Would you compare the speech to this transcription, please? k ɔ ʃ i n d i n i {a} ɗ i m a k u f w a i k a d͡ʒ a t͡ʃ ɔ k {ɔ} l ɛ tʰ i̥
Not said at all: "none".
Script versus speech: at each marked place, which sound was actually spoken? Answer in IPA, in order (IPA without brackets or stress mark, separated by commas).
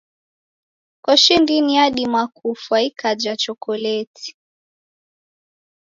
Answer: a, ɔ